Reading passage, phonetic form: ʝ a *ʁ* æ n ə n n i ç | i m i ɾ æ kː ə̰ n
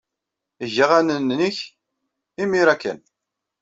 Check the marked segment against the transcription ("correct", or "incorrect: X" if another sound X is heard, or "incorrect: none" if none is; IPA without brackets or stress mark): correct